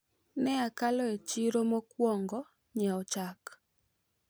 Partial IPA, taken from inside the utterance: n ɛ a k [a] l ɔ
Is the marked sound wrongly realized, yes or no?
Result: no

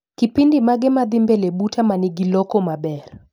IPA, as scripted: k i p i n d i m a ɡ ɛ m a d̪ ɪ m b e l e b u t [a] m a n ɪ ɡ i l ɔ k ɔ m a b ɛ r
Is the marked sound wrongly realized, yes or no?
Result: no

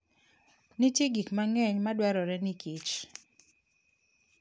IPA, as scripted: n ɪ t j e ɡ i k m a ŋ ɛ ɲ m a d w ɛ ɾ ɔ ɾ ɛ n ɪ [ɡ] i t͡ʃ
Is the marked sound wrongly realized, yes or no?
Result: yes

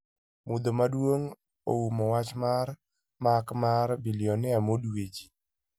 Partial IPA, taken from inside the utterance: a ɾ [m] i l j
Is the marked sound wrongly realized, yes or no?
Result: yes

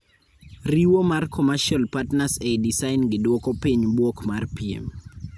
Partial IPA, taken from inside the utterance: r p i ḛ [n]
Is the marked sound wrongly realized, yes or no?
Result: yes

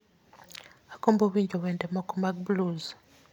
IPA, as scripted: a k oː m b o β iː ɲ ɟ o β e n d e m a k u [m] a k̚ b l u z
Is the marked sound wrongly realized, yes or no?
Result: no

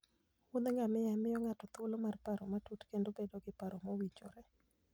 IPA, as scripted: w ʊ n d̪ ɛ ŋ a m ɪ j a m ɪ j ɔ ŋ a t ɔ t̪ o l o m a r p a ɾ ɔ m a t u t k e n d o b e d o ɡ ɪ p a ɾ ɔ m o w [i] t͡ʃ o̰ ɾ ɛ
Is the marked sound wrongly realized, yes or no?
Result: no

